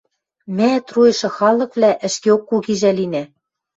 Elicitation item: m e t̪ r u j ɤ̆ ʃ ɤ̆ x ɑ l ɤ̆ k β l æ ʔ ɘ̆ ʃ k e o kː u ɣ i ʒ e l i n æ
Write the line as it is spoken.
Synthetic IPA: m æ t̪ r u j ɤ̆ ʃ ɤ̆ x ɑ l ɤ̆ k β l æ ʔ ɘ̆ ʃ k e o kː u ɣ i ʒ æ l i n æ